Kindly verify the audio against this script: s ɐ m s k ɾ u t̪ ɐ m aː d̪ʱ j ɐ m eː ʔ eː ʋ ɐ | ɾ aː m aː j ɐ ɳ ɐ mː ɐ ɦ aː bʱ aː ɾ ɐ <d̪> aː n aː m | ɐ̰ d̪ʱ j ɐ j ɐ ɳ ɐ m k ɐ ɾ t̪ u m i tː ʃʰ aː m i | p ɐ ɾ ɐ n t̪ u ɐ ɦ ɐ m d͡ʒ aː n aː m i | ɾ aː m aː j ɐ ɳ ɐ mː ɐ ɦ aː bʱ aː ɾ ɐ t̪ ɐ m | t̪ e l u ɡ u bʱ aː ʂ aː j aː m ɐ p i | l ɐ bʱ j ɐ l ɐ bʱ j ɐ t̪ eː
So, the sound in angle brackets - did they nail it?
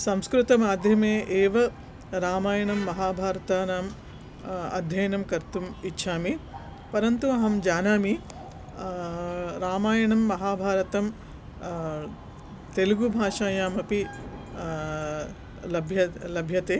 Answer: no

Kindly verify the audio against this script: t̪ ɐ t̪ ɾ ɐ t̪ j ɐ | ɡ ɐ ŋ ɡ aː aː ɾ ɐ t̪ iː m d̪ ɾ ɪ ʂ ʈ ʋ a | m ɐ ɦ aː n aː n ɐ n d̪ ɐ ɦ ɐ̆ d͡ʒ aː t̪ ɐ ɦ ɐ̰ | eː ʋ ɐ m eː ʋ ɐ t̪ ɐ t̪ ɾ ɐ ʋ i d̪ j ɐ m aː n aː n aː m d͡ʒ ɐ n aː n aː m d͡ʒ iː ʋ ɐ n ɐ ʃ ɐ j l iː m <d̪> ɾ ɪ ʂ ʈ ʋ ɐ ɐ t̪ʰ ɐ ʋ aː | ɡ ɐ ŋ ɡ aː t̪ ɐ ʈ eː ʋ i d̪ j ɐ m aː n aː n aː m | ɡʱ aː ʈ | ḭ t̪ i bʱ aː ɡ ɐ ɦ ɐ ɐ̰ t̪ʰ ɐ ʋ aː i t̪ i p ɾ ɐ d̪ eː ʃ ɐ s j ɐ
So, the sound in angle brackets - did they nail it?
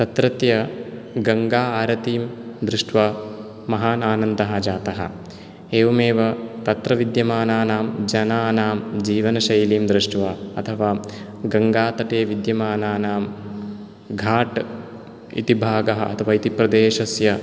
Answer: yes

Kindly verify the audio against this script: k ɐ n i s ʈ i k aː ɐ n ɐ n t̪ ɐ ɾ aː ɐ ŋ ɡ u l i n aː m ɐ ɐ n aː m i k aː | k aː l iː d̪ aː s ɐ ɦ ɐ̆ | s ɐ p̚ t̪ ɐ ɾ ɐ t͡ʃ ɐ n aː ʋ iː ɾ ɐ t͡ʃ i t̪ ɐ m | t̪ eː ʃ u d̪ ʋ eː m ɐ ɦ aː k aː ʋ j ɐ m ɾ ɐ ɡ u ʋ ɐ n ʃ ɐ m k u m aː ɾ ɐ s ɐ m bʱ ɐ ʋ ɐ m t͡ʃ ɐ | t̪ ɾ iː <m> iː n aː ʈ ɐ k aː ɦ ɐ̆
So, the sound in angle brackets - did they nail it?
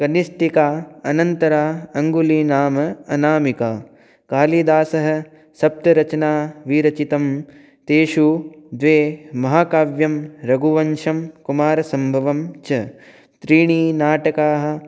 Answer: no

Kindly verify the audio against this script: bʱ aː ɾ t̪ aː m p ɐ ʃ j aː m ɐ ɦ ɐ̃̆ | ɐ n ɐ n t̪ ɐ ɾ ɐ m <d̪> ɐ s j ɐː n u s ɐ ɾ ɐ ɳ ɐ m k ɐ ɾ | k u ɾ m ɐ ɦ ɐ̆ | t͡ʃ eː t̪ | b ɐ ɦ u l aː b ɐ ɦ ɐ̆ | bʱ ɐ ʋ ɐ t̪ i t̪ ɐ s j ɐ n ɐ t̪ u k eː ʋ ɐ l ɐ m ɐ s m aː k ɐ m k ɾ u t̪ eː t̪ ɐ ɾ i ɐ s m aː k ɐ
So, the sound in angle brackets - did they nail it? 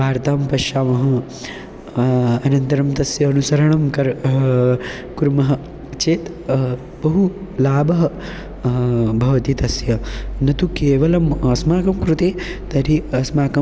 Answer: no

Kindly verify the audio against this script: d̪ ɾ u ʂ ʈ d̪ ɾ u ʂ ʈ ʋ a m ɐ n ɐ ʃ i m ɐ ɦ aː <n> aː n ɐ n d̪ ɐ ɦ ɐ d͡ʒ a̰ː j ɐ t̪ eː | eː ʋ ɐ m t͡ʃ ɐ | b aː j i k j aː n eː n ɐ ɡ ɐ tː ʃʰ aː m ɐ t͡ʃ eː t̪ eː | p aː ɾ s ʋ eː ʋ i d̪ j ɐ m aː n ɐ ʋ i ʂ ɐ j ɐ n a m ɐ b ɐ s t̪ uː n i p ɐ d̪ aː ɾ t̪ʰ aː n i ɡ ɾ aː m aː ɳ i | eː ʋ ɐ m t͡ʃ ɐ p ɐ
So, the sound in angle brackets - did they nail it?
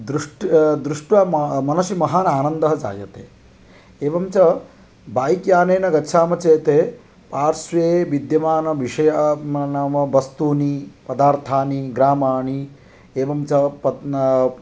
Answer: yes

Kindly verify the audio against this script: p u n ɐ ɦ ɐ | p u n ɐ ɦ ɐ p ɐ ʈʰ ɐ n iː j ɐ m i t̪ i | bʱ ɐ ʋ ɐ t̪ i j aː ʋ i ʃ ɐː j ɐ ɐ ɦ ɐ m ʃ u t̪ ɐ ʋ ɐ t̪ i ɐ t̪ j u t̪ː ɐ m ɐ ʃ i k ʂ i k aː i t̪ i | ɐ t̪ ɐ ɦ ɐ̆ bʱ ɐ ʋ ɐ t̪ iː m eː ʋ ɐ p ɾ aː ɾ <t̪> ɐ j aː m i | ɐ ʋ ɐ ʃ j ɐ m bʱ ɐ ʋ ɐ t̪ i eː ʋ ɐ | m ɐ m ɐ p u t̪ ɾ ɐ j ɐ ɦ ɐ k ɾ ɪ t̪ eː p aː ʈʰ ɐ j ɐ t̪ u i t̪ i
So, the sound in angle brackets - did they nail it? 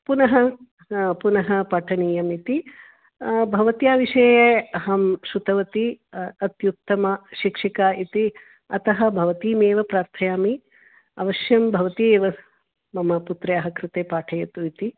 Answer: no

